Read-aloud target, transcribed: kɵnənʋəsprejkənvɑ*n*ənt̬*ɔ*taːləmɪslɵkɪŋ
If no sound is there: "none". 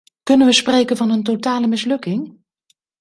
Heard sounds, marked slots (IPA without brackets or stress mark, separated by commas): n, o